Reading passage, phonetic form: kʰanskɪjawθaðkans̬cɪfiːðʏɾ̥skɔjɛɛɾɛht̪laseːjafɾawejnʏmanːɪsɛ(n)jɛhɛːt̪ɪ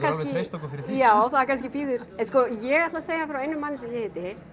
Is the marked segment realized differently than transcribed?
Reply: yes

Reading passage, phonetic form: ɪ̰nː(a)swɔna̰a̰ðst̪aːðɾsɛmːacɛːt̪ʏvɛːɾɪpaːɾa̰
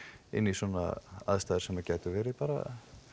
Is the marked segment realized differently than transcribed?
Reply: yes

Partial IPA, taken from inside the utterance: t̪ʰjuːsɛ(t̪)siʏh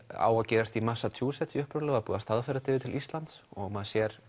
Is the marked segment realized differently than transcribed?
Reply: no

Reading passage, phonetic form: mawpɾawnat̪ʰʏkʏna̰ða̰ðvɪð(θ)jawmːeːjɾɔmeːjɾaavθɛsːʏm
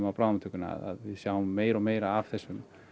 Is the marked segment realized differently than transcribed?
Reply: yes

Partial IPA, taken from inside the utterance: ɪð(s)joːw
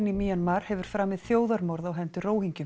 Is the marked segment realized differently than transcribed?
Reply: yes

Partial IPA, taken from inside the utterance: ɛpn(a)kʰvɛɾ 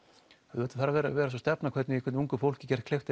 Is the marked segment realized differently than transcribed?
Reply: no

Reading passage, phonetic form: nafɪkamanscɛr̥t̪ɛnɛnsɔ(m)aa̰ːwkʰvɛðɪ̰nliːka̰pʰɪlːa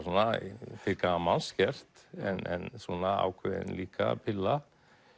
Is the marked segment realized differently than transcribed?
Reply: yes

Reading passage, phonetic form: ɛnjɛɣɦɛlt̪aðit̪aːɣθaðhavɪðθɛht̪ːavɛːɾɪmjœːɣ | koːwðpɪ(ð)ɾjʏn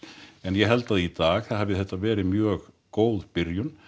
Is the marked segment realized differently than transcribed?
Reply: yes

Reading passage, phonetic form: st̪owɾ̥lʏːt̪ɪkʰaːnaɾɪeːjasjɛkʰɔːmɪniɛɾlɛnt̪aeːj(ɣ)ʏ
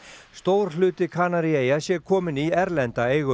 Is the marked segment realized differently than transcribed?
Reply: no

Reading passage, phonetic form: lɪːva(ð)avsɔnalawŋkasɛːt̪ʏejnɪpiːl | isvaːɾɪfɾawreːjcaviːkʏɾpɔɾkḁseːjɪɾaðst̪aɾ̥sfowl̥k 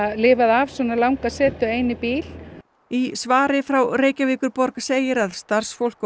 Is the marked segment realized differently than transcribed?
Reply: no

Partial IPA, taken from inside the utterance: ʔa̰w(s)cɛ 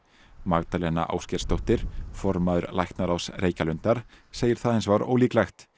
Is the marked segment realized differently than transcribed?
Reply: no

